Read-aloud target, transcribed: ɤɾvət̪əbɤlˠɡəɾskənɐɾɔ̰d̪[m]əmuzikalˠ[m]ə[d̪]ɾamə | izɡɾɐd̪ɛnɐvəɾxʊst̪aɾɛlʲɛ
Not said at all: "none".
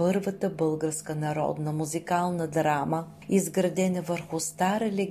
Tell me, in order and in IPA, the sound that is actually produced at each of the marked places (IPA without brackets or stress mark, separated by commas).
n, n, d̪